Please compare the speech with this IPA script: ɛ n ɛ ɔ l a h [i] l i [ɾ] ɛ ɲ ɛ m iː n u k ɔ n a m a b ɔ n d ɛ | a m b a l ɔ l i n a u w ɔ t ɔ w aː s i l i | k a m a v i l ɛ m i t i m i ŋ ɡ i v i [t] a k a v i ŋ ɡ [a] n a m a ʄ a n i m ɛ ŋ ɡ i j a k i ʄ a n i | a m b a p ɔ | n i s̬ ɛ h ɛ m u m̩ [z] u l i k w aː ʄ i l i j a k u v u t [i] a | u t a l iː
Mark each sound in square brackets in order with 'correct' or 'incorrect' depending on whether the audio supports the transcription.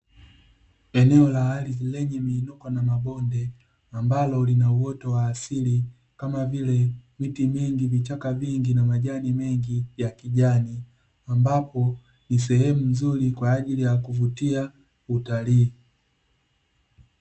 incorrect, incorrect, incorrect, incorrect, correct, correct

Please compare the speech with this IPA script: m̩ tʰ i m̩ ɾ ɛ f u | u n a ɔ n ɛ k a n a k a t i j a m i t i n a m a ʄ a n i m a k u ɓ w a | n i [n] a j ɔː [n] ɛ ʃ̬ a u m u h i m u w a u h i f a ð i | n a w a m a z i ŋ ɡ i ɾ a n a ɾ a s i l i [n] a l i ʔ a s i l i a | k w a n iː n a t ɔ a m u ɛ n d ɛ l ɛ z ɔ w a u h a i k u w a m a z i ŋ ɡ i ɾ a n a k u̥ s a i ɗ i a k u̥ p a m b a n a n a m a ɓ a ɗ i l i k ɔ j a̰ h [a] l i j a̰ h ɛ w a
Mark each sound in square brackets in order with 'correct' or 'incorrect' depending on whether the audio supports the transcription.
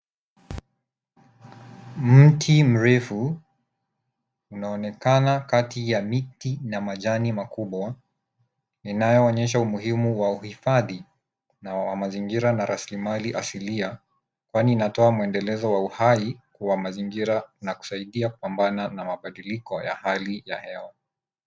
correct, incorrect, incorrect, correct

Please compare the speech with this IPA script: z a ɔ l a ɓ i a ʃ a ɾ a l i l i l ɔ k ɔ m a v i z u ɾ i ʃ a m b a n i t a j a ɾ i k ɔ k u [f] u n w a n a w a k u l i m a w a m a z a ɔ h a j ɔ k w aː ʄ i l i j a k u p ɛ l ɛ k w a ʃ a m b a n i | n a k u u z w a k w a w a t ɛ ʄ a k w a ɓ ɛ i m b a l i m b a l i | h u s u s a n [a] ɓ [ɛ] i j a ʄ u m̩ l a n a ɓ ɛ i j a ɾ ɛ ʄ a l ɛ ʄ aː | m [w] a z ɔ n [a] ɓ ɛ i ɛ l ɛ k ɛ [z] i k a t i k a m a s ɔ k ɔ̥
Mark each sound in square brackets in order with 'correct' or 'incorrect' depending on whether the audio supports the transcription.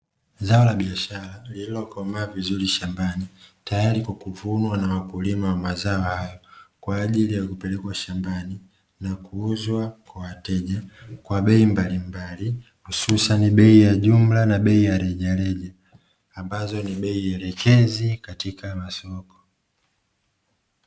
incorrect, incorrect, correct, incorrect, incorrect, correct

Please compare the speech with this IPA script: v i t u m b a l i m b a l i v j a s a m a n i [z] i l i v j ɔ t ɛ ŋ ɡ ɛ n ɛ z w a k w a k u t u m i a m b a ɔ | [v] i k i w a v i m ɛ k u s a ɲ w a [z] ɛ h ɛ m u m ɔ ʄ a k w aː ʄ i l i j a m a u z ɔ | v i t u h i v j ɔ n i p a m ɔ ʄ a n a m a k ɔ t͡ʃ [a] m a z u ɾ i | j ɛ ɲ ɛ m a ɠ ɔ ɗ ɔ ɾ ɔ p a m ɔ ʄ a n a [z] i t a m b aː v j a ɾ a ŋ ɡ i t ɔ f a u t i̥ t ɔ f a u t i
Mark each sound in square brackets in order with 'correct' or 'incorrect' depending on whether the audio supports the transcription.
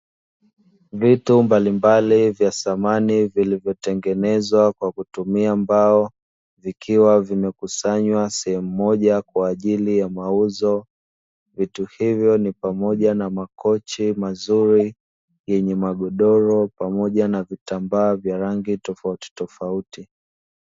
incorrect, correct, incorrect, incorrect, incorrect

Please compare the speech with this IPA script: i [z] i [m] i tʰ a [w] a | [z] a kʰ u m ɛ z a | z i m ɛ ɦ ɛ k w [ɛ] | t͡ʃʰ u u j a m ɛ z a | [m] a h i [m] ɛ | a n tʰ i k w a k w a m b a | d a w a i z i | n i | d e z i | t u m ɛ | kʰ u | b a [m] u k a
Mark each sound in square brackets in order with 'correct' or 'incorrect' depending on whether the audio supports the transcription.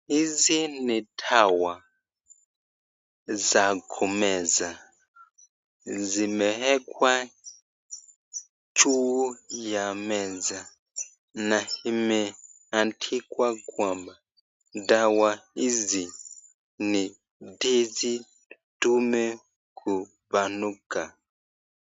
correct, incorrect, correct, correct, incorrect, incorrect, correct, incorrect

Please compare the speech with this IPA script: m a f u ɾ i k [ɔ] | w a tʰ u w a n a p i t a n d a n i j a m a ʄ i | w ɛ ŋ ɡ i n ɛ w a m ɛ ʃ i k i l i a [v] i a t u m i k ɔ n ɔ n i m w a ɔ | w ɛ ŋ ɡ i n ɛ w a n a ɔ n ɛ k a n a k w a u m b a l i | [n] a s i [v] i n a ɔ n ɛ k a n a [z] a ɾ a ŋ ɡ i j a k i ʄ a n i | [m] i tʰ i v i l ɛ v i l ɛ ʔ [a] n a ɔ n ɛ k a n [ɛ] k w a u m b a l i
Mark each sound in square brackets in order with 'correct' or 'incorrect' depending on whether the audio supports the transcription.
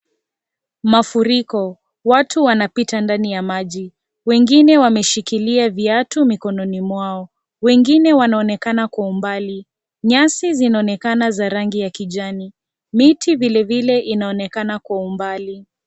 correct, correct, incorrect, incorrect, correct, correct, incorrect, incorrect

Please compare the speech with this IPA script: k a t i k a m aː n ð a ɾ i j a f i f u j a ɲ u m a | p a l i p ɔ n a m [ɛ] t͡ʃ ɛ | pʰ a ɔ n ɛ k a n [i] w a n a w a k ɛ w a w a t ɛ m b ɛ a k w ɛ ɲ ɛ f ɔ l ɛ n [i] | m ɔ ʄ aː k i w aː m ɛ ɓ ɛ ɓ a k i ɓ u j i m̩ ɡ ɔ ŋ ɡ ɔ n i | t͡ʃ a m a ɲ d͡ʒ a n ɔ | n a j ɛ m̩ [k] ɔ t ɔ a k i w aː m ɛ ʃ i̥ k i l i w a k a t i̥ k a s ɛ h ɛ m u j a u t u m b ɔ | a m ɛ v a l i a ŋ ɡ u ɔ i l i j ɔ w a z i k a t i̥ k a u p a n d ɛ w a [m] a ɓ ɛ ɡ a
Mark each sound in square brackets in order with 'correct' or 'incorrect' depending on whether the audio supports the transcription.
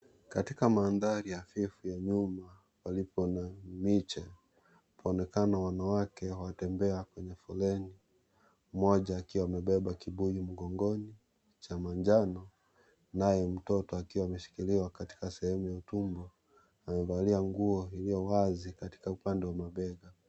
incorrect, incorrect, correct, incorrect, correct

